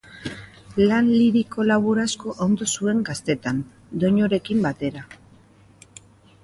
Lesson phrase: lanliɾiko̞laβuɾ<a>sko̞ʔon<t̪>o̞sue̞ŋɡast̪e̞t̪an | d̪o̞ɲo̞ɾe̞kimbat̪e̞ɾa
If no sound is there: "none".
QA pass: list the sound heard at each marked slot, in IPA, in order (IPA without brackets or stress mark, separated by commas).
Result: a, d̪